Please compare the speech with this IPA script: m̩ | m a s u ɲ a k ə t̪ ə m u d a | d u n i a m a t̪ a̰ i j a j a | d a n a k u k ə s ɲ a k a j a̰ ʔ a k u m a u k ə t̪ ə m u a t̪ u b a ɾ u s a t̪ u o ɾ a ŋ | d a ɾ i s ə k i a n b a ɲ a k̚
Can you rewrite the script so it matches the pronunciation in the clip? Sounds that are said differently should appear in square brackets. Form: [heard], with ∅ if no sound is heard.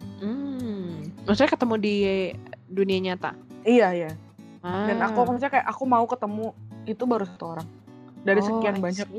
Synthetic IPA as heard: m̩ | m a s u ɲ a k ə t̪ ə m u d [i] | d u n i a [ɲ] a t̪ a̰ i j a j a | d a n a k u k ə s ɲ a k a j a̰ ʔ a k u m a u k ə t̪ ə m u [i] t̪ u b a ɾ u s a t̪ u o ɾ a ŋ | d a ɾ i s ə k i a n b a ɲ a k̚